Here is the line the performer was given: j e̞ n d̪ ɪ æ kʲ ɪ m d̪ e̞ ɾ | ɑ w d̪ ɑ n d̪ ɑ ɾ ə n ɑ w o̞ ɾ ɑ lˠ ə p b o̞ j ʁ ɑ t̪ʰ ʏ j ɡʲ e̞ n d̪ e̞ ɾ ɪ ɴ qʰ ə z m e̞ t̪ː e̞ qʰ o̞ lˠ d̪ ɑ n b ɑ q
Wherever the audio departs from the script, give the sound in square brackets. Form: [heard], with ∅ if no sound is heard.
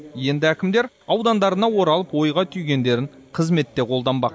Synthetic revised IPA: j e̞ n d̪ ɪ æ kʲ ɪ m d̪ e̞ ɾ | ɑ w d̪ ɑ n d̪ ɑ ɾ ə n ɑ w o̞ ɾ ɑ lˠ ə p [w] o̞ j ʁ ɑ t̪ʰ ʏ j ɡʲ e̞ n d̪ e̞ ɾ ɪ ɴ qʰ ə z m e̞ t̪ː e̞ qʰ o̞ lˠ d̪ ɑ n b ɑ q